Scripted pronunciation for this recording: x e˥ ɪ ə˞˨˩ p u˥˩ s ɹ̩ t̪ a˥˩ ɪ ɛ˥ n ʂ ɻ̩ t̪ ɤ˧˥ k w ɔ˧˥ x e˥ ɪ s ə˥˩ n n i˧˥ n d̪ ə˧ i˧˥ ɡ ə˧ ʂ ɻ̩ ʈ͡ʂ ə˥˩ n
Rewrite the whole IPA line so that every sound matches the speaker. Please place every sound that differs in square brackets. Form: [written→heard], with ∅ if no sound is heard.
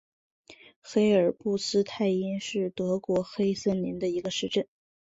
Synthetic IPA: x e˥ ɪ ə˞˨˩ p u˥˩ s ɹ̩ [t̪→t̪ʰ] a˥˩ ɪ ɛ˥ n ʂ ɻ̩ t̪ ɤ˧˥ k w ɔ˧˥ x e˥ ɪ s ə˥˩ n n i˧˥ n d̪ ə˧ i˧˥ ɡ ə˧ ʂ ɻ̩ ʈ͡ʂ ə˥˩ n